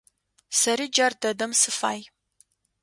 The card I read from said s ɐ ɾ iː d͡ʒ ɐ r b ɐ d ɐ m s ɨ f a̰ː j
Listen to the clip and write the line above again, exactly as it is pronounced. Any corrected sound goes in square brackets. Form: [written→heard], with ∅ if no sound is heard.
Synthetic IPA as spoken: s ɐ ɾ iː d͡ʒ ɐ r [b→d] ɐ d ɐ m s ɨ f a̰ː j